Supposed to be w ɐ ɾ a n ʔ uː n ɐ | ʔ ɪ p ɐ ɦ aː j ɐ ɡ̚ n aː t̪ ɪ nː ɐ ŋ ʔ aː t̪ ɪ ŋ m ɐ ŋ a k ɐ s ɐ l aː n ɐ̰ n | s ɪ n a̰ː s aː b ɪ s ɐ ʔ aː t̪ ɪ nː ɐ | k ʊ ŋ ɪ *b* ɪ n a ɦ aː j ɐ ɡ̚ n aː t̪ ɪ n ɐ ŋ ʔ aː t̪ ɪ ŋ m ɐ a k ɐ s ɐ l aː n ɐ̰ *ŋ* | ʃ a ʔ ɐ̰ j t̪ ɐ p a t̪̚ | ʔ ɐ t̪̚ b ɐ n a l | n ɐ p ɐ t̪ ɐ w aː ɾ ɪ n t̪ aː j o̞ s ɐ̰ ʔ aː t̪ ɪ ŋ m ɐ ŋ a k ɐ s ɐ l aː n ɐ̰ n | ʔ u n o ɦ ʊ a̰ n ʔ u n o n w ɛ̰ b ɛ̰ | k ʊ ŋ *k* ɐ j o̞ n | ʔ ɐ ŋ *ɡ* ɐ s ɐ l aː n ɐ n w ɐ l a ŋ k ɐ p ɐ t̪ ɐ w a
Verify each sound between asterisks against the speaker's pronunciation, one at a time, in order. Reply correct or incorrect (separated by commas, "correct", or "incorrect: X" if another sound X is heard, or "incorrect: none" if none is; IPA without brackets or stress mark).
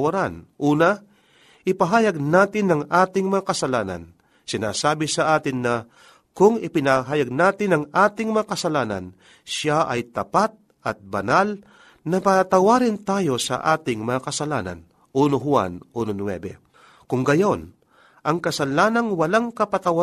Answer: incorrect: p, incorrect: n, incorrect: ɡ, incorrect: k